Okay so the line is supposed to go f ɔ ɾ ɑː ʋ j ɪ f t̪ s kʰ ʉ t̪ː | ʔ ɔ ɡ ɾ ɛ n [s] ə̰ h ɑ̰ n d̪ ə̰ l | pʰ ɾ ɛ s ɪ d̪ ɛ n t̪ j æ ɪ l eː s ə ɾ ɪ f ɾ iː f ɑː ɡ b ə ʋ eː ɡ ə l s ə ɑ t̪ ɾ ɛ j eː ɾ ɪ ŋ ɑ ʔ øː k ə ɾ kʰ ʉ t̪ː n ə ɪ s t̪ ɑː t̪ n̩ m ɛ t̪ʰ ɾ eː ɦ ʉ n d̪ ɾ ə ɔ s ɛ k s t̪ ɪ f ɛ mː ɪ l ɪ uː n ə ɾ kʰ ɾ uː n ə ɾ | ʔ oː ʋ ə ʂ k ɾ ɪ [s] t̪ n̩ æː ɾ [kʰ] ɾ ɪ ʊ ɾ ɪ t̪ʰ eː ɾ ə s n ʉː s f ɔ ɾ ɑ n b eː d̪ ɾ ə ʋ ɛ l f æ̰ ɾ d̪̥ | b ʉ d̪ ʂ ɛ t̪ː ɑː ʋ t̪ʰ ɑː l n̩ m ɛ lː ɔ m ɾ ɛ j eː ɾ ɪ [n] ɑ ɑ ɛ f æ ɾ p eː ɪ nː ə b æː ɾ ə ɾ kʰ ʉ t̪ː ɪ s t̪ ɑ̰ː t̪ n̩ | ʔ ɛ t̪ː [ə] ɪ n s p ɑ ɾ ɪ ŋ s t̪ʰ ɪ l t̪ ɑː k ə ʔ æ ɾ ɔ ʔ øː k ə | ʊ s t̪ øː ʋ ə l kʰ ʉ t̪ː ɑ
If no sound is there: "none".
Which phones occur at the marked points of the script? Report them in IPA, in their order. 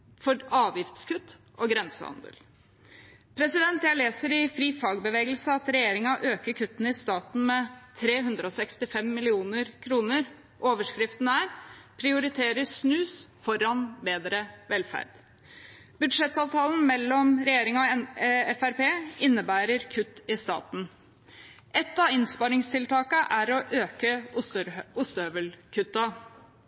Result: s, f, pʰ, ŋ, ɑ

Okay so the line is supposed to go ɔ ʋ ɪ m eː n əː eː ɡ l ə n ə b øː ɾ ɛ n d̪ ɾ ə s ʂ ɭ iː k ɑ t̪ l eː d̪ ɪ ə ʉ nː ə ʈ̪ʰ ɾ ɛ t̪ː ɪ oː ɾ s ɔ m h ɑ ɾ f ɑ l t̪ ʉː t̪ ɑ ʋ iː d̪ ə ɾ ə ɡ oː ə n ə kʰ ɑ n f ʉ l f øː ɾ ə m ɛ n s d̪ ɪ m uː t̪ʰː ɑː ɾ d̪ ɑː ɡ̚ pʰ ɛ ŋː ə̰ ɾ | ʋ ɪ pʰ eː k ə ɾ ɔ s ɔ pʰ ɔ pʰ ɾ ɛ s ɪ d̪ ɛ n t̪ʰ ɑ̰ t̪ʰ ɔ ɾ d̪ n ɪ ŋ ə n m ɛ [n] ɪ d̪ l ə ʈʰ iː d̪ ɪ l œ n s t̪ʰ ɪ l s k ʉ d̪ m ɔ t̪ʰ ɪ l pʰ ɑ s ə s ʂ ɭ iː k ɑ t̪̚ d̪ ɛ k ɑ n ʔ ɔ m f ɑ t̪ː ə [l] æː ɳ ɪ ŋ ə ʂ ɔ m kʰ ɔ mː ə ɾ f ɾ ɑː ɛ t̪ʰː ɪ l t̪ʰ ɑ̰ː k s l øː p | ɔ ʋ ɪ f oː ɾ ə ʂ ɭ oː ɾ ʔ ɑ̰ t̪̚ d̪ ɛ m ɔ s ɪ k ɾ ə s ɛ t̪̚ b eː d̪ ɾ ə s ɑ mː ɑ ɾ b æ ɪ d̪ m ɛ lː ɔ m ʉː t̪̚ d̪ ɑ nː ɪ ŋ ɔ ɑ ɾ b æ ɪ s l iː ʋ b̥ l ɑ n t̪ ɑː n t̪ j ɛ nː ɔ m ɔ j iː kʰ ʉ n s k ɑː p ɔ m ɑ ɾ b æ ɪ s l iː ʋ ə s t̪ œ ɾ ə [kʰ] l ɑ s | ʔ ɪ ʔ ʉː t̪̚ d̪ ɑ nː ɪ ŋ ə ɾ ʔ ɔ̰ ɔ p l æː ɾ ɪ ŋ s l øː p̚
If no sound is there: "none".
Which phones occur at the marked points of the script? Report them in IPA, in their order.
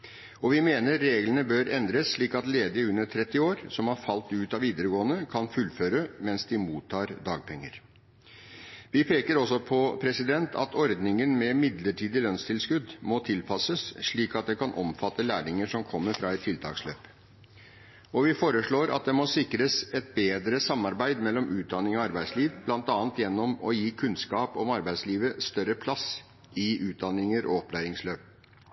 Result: m, l, pʰ

